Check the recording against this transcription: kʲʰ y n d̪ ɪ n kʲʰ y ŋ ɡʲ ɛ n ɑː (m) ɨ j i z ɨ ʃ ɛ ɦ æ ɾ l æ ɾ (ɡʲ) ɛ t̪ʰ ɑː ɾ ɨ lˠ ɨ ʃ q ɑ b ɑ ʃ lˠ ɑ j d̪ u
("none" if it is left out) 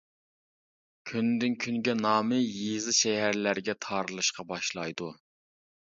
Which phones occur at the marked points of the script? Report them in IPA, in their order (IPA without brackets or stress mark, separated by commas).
m, ɡʲ